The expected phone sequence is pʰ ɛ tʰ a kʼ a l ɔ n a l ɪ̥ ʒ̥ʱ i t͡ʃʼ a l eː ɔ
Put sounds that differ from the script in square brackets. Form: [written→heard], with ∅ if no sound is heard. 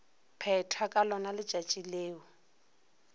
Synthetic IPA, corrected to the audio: pʰ ɛ tʰ a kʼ a l ɔ n a l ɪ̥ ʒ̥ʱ [i→a] t͡ʃʼ [a→i] l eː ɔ